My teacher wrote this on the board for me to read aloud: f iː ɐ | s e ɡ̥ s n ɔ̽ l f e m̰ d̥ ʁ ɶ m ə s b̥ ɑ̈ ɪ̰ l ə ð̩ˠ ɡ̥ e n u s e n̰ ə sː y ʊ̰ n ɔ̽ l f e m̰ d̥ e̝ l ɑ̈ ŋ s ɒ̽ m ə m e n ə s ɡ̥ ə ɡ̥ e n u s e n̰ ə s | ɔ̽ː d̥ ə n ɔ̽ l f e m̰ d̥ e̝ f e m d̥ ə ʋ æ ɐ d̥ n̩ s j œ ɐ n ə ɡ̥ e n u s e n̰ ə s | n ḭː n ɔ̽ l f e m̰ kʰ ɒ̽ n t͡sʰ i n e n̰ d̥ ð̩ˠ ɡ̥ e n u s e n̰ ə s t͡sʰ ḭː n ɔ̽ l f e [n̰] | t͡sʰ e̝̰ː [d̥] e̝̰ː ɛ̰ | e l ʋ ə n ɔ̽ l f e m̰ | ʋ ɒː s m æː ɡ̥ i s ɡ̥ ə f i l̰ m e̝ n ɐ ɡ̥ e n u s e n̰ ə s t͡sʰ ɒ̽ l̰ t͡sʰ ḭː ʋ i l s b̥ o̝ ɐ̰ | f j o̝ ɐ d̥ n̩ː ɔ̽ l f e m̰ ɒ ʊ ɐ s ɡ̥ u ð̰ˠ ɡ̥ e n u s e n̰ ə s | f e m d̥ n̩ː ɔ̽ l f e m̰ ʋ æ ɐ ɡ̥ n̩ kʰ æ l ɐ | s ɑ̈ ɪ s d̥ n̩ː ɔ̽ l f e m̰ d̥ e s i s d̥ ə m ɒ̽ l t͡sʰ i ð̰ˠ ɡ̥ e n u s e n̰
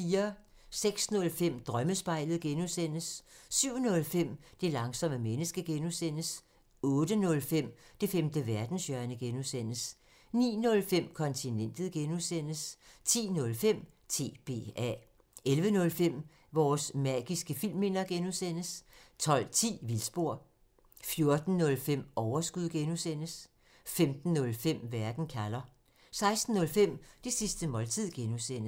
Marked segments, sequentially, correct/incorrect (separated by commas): incorrect, incorrect